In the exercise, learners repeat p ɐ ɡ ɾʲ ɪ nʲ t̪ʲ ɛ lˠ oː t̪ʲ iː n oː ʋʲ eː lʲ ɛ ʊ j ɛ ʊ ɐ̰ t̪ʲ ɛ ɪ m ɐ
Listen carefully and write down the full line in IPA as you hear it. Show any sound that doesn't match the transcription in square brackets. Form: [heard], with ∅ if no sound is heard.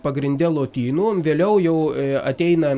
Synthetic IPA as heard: p ɐ ɡ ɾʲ ɪ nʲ [d̪ʲ] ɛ lˠ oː t̪ʲ iː n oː ʋʲ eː lʲ ɛ ʊ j ɛ ʊ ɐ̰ t̪ʲ ɛ ɪ [n] ɐ